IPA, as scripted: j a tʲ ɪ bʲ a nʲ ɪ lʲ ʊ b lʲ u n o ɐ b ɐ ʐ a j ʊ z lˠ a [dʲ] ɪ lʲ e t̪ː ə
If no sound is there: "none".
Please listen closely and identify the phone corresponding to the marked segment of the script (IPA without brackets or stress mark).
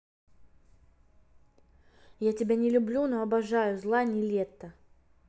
nʲ